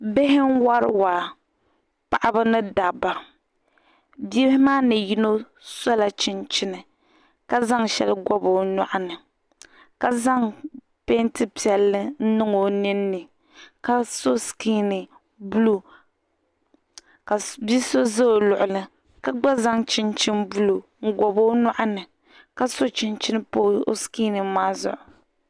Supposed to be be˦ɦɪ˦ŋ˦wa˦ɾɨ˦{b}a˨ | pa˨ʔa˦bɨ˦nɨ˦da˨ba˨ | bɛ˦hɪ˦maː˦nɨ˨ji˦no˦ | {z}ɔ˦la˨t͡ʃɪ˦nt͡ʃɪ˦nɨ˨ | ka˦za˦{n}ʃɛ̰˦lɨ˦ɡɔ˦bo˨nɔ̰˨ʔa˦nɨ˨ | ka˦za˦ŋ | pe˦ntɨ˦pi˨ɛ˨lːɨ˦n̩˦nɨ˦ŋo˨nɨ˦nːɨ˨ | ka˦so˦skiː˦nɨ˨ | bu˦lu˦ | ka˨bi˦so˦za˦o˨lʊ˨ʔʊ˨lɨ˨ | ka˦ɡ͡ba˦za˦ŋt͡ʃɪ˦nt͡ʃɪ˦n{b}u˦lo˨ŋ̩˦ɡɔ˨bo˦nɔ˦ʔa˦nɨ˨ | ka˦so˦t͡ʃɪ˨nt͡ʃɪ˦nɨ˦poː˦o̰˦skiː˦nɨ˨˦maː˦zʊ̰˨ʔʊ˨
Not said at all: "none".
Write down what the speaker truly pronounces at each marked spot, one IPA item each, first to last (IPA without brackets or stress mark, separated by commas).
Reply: w, s, ŋ, b